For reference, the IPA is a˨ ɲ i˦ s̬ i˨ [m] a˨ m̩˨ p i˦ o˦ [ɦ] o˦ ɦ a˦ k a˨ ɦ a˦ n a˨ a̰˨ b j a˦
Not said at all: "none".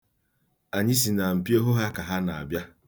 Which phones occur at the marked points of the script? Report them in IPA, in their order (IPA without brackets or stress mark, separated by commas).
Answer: n, ɦ